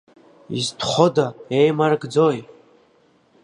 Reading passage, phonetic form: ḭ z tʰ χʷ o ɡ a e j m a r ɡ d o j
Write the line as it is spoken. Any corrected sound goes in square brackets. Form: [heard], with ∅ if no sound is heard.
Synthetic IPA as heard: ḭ z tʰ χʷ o [d] a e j m a r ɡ [d͡z] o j